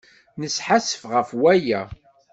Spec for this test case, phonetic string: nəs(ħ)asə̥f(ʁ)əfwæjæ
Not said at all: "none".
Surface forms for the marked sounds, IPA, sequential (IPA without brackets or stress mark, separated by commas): ħ, ʁ